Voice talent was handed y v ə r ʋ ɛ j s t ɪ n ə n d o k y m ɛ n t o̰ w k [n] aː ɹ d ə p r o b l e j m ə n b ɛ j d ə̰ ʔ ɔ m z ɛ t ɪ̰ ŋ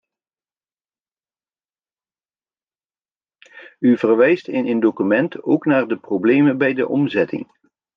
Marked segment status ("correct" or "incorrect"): correct